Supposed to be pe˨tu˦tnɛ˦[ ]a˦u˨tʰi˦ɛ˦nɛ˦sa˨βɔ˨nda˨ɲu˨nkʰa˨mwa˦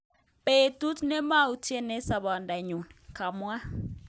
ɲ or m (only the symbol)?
m